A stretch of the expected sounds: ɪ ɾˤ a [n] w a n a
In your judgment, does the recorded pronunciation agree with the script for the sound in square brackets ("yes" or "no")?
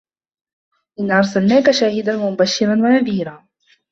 yes